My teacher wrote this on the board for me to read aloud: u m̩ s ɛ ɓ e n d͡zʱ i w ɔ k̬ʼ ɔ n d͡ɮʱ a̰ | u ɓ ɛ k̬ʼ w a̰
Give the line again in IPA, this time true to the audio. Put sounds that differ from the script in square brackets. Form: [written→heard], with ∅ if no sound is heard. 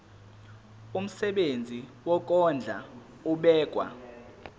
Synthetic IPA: u m̩ s ɛ ɓ e n d͡zʱ i w ɔ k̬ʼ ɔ n d͡ɮʱ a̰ | u ɓ [ɛ→ɛː] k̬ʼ w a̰